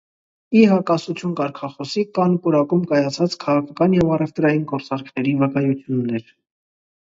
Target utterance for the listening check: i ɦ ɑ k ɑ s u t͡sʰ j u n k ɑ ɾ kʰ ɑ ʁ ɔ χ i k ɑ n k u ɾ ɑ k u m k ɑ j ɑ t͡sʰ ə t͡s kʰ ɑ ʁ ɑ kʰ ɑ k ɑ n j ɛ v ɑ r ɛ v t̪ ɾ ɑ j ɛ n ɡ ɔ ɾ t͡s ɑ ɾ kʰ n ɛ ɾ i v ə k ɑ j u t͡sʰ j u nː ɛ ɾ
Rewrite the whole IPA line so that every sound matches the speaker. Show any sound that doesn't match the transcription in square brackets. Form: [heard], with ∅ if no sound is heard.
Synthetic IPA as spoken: i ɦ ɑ k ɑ s u t͡sʰ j u n k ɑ ɾ kʰ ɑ [χ] ɔ [s] i k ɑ n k u ɾ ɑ k u m k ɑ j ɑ t͡sʰ [ɑ] t͡s kʰ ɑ ʁ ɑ kʰ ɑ k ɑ n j ɛ v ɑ r ɛ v t̪ ɾ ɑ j [i] n ɡ ɔ ɾ t͡s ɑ ɾ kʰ n ɛ ɾ i v ə k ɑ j u t͡sʰ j u nː ɛ ɾ